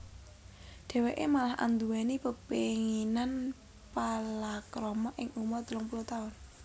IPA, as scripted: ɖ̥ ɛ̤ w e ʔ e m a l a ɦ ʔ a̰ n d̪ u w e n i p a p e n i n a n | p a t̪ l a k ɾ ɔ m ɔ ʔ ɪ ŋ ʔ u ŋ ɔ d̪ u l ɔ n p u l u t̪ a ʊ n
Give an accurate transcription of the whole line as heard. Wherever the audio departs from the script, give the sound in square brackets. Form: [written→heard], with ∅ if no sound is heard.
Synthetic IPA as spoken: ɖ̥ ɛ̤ w e ʔ e m a l a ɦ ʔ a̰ n d̪ u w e n i p [a→ə] p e [n→ŋ] i n a n | p a [t̪→∅] l a k ɾ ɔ m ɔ ʔ ɪ ŋ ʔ u [ŋ→m] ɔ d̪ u l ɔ [n→ŋ] p u l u t̪ a ʊ n